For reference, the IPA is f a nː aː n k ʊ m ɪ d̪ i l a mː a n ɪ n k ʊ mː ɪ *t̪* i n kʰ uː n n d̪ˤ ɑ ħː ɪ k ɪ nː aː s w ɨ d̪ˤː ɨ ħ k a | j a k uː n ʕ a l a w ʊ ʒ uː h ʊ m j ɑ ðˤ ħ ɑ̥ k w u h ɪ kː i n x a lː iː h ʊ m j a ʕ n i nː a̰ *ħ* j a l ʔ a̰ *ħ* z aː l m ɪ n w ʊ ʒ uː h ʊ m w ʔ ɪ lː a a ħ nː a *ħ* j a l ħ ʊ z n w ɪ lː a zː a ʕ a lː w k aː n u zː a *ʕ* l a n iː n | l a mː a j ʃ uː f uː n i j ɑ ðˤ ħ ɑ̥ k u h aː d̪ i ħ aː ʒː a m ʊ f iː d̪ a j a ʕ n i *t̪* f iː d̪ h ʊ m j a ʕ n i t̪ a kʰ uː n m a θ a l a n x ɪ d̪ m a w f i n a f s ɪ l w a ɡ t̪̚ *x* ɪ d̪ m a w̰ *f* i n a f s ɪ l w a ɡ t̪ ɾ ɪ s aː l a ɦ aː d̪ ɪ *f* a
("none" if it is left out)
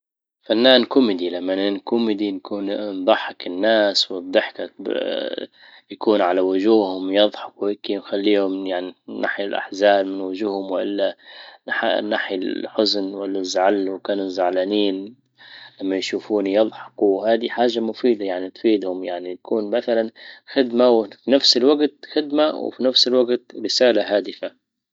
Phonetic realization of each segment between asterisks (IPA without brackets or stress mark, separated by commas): d̪, ħ, ħ, ħ, ʕ, t̪, x, f, f